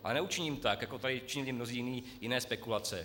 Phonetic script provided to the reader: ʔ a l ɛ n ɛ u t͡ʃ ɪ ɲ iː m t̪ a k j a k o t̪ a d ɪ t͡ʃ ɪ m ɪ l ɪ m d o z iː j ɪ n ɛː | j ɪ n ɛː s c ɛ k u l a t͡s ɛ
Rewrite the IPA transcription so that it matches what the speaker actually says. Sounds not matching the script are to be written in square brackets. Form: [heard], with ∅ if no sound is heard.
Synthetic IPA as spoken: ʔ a l ɛ n ɛ u t͡ʃ ɪ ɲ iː m t̪ a k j a k o t̪ a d ɪ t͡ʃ ɪ [ɲ] ɪ l ɪ m [n] o z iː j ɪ n [iː] | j ɪ n ɛː s [p] ɛ k u l a t͡s ɛ